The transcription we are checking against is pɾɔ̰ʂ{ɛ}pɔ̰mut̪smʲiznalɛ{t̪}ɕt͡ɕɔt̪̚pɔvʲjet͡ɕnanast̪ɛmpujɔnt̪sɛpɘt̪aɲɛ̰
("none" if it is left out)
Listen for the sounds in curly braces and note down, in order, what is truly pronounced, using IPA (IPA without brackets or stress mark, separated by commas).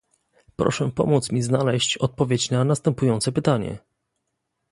ɛ, none